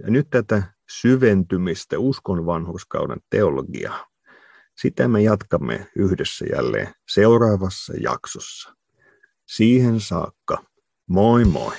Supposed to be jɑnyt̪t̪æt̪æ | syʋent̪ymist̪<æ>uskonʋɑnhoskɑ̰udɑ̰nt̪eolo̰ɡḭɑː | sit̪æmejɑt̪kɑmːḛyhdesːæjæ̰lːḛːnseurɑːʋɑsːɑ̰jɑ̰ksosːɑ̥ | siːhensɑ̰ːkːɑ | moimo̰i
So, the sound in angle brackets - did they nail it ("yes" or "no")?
yes